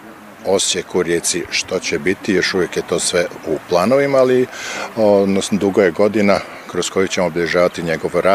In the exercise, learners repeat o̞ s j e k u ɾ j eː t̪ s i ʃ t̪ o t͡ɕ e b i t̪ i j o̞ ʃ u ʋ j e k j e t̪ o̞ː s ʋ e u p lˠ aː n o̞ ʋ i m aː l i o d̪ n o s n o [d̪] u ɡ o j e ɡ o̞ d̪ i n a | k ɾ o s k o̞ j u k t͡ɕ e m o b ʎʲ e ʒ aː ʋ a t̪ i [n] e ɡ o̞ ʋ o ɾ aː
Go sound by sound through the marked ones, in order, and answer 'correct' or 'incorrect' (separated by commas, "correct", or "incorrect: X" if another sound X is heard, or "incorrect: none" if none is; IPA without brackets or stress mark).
correct, incorrect: ɲ